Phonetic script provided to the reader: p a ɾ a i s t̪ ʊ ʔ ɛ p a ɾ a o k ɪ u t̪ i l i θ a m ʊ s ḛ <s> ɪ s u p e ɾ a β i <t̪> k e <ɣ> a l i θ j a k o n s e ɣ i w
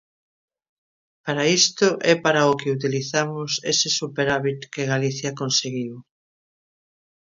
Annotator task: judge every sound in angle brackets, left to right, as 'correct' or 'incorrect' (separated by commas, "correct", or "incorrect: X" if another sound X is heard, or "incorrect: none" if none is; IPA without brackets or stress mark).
correct, correct, correct